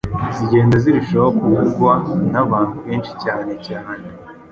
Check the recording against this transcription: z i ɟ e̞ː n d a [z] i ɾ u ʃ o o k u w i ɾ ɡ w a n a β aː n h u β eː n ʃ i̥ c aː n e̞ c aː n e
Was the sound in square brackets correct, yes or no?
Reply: yes